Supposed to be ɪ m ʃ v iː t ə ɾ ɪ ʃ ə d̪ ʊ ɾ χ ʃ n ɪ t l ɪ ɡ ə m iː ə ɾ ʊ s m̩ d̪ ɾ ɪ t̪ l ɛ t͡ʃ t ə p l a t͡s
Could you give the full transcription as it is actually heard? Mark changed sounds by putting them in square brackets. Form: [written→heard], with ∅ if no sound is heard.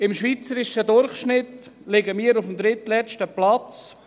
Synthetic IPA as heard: ɪ m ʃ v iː [t→t͡s] ə ɾ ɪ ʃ ə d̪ ʊ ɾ χ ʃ n ɪ t l ɪ ɡ ə m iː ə ɾ ʊ [s→f] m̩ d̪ ɾ ɪ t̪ l ɛ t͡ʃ t ə p l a t͡s